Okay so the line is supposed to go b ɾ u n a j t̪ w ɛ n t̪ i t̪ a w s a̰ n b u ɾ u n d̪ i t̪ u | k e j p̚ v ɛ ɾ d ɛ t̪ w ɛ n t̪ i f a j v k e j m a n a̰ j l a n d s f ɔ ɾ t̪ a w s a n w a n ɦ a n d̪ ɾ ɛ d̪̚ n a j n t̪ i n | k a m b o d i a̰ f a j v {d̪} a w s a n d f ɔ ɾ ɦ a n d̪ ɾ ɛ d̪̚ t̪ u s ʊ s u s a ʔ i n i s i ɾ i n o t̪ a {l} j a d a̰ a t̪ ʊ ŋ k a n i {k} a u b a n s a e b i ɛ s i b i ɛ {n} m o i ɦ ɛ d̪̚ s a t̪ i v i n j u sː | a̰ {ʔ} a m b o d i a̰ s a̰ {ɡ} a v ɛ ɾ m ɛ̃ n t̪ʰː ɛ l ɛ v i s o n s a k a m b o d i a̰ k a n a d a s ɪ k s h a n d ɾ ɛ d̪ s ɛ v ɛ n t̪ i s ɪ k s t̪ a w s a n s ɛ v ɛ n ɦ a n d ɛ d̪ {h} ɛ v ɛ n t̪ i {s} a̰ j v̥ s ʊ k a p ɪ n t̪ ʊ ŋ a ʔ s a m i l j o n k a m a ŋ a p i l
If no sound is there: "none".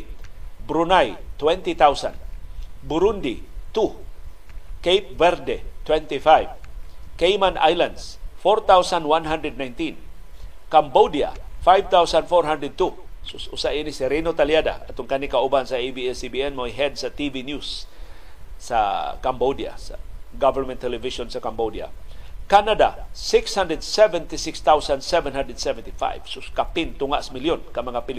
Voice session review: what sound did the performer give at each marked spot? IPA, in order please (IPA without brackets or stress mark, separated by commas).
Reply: t̪, l, k, n, k, ɡ, s, f